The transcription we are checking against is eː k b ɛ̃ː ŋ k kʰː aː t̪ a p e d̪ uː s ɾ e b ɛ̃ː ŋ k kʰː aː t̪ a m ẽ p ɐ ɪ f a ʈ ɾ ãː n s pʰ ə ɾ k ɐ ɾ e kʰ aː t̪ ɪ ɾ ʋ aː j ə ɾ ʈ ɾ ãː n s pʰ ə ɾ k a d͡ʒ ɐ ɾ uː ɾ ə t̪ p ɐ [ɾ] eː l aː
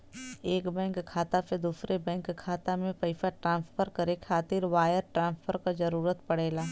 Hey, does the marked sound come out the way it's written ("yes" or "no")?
no